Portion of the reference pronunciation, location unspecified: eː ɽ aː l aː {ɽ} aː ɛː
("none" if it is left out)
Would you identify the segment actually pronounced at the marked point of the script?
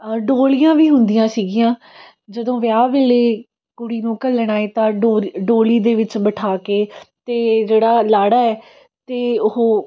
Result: ɽ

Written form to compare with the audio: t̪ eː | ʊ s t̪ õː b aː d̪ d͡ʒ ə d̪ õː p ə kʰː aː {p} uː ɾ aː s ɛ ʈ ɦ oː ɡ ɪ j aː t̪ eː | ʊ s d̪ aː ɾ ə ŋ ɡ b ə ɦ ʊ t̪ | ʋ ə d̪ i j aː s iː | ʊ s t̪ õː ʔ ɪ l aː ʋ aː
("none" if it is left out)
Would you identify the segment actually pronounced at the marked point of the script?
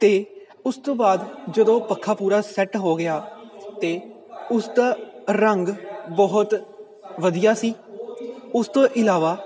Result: p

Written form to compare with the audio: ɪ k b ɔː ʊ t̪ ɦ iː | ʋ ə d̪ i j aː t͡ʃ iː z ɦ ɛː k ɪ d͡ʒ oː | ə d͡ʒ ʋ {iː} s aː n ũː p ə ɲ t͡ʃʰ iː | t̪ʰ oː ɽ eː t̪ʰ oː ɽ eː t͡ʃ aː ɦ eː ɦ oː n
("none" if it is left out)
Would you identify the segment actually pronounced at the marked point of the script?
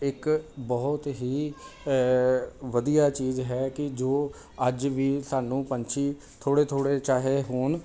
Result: iː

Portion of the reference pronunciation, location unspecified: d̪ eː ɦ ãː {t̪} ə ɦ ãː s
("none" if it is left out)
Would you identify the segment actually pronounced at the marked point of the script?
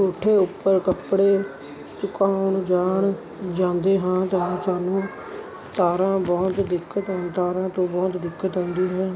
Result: t̪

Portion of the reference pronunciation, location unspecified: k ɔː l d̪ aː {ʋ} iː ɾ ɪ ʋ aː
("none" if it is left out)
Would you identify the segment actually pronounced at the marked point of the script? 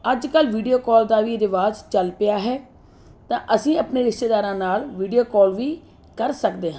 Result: ʋ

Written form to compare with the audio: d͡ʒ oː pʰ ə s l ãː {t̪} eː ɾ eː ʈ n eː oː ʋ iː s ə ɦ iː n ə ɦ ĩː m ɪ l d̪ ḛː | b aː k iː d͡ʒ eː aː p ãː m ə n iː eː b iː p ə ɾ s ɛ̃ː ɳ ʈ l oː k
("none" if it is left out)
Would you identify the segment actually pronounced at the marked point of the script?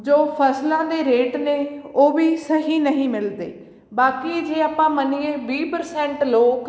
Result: d̪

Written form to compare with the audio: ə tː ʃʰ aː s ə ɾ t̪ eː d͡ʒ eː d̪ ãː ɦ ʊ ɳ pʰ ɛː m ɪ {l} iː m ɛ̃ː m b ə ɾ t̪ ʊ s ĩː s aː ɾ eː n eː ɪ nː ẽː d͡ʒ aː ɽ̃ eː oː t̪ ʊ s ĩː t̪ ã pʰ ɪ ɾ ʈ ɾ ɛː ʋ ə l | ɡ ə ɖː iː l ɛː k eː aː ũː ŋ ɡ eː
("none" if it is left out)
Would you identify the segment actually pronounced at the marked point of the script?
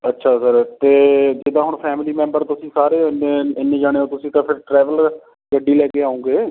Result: l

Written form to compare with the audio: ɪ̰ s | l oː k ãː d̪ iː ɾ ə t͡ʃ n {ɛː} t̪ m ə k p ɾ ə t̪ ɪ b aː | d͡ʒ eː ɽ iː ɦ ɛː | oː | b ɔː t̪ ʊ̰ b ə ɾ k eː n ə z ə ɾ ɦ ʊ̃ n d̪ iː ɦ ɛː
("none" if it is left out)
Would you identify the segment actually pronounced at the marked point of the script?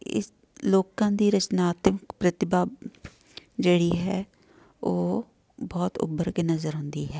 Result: aː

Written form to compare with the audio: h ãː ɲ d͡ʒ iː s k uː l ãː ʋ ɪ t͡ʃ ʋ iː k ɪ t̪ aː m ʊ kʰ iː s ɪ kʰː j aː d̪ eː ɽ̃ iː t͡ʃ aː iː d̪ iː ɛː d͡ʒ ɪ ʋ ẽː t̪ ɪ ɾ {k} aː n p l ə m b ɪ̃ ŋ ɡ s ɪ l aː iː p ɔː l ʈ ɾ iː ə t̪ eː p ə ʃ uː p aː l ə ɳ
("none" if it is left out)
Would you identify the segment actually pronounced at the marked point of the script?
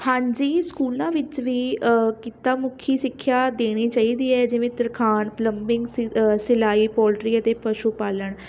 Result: kʰ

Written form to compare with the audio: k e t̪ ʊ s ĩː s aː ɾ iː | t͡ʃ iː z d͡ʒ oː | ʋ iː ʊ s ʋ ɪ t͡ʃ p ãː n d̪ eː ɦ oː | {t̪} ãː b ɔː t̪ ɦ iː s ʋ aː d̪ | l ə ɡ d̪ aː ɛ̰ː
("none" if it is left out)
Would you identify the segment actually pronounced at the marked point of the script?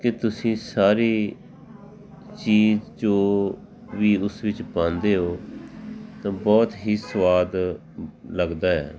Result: t̪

